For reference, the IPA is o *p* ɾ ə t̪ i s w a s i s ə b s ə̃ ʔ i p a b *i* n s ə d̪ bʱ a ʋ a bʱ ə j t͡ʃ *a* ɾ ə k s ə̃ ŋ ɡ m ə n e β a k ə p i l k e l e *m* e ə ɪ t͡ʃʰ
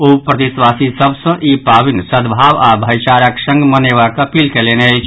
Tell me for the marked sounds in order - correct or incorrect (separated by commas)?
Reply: correct, correct, correct, incorrect